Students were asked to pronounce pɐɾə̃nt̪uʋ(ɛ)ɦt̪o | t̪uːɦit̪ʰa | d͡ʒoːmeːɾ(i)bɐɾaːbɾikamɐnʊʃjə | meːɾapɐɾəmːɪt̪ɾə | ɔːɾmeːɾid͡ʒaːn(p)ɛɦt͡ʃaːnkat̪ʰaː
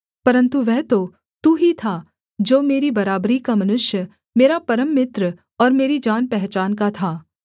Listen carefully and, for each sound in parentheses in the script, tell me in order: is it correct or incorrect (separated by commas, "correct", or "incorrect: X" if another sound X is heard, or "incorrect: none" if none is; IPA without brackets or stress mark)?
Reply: correct, correct, correct